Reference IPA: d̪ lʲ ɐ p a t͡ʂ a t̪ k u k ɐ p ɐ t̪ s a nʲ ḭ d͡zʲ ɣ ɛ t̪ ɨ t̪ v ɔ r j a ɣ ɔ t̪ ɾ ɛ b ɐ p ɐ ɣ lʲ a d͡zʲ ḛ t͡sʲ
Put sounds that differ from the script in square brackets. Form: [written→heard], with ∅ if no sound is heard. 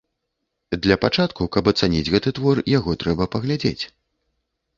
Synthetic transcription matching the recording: d̪ lʲ ɐ p a t͡ʂ a t̪ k u k ɐ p ɐ t̪ s a nʲ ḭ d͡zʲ ɣ ɛ t̪ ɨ t̪ v ɔ r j a ɣ ɔ t̪ ɾ ɛ b ɐ p ɐ ɣ lʲ a d͡zʲ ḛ t͡sʲ

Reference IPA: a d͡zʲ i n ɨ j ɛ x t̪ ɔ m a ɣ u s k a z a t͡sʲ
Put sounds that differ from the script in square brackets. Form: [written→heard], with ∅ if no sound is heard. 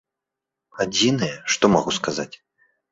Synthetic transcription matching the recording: a d͡zʲ i n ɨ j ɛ [x→ʂ] t̪ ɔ m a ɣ u s k a z a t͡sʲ

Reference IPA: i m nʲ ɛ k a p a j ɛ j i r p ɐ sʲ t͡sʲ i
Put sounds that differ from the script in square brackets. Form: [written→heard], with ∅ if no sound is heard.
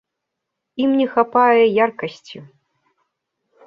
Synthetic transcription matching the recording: i m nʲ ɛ [k→x] a p a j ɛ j [i→a] r [p→k] ɐ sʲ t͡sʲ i

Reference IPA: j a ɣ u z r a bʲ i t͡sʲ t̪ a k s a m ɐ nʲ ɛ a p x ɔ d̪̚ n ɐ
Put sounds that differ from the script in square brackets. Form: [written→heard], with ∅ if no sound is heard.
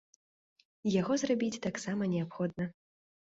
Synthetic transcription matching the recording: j a ɣ [u→ɔ] z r a bʲ i t͡sʲ t̪ a k s a m ɐ nʲ ɛ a p x ɔ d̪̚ n ɐ

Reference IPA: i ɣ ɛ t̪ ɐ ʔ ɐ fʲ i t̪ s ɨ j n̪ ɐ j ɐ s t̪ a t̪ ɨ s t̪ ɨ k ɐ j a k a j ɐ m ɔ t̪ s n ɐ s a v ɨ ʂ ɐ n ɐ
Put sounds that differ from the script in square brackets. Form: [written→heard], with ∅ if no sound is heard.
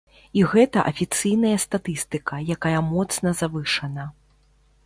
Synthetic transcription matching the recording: i ɣ ɛ t̪ ɐ ʔ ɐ fʲ i t̪ s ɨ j n̪ ɐ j ɐ s t̪ a t̪ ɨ s t̪ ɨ k ɐ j a k a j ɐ m ɔ t̪ s n ɐ [s→z] a v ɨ ʂ ɐ n ɐ

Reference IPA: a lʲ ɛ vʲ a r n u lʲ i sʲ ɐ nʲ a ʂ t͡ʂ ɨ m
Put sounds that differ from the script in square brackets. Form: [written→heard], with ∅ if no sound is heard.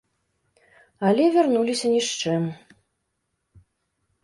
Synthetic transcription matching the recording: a lʲ ɛ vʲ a r n u lʲ i sʲ ɐ nʲ [a→i] ʂ t͡ʂ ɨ m

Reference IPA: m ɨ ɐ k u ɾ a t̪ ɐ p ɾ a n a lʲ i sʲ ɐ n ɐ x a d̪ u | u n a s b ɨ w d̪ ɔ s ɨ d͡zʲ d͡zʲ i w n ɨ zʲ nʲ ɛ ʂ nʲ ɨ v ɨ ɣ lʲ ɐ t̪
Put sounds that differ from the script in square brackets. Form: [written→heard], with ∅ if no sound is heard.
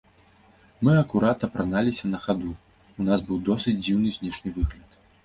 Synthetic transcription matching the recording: m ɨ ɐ k u ɾ a t̪ ɐ p ɾ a n a lʲ i sʲ ɐ n ɐ x a d̪ u | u n a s b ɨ w d̪ ɔ s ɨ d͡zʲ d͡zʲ i w n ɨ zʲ nʲ ɛ ʂ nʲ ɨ v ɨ ɣ lʲ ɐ t̪

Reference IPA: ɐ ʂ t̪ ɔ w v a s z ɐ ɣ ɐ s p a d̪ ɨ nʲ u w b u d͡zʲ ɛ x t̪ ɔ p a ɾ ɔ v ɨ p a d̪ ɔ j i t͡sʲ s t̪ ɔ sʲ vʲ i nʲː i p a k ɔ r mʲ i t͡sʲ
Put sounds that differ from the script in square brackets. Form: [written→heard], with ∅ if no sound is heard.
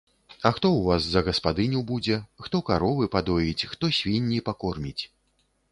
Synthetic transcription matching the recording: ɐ [ʂ→x] t̪ ɔ w v a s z ɐ ɣ ɐ s p a d̪ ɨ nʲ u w b u d͡zʲ ɛ x t̪ ɔ [p→k] a ɾ ɔ v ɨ p a d̪ ɔ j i t͡sʲ [s→x] t̪ ɔ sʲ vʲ i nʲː i p a k ɔ r mʲ i t͡sʲ

